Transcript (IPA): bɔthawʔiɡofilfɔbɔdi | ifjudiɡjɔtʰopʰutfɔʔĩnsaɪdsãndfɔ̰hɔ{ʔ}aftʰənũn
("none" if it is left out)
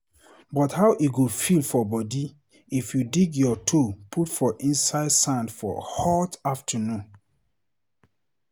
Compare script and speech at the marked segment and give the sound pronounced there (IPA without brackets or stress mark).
t